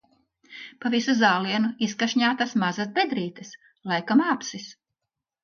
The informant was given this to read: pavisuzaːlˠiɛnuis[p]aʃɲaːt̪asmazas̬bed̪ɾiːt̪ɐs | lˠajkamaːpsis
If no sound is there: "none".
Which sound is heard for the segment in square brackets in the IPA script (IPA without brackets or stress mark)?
k